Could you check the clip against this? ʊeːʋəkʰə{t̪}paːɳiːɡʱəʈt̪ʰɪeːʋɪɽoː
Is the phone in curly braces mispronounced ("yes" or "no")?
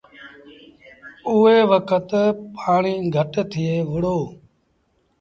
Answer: no